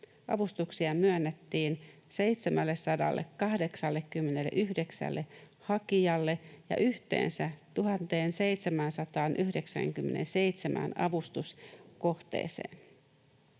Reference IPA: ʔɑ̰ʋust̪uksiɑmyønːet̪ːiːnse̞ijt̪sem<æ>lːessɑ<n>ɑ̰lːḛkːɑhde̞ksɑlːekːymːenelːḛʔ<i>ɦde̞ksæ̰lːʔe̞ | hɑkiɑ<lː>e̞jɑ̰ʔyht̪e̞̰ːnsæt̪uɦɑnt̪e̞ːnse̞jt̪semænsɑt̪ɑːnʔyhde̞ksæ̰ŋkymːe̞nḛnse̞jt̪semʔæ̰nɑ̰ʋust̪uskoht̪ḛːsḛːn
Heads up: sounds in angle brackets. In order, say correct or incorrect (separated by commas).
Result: correct, incorrect, incorrect, correct